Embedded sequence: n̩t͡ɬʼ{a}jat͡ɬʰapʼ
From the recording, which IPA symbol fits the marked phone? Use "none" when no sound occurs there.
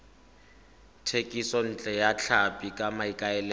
ɛ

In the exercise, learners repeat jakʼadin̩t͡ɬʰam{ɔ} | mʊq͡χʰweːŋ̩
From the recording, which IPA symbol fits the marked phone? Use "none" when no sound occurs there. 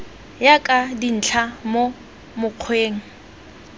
o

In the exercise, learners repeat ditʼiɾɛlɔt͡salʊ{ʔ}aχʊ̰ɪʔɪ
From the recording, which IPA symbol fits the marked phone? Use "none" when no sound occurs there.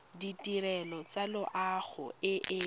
ʔ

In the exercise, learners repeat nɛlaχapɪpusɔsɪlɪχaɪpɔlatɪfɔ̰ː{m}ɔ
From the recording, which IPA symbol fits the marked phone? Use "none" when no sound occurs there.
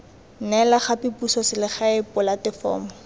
m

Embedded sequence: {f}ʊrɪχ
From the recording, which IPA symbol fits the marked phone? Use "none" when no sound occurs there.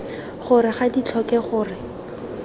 χ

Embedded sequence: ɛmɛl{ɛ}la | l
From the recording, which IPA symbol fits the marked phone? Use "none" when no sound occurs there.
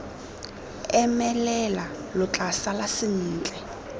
ɛ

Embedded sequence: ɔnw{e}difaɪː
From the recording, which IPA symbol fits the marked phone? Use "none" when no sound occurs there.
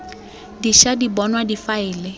a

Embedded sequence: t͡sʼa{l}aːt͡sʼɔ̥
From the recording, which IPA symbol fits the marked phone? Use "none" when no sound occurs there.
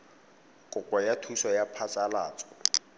l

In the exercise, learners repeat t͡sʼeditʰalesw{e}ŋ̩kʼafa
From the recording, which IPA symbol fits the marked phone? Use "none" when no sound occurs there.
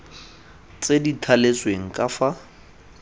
e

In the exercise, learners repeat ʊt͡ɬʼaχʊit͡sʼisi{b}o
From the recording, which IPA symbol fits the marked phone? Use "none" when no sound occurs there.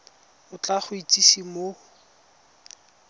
m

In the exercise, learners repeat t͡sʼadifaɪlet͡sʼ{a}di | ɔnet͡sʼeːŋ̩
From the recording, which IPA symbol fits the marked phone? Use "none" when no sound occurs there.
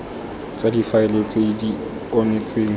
e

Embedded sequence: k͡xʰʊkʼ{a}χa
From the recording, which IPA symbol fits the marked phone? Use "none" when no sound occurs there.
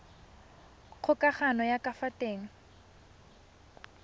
a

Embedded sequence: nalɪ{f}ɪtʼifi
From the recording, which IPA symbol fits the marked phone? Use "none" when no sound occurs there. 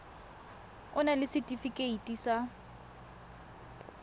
s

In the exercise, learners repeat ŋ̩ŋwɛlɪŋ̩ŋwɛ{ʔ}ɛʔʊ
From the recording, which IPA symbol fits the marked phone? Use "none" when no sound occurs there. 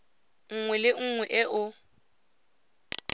ʔ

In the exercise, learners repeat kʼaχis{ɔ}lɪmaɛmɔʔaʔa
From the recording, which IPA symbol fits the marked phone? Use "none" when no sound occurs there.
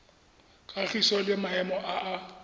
ɔ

